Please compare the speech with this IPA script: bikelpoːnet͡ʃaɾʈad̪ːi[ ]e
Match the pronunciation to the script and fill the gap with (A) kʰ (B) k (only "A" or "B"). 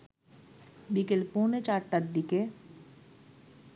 B